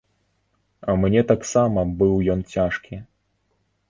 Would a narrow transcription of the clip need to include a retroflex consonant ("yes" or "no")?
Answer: yes